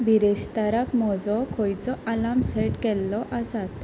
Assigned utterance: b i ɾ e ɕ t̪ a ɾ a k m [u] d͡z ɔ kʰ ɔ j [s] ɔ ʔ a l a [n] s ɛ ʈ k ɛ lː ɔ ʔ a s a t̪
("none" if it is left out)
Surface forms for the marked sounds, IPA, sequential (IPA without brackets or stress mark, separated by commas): ɔ, t͡s, m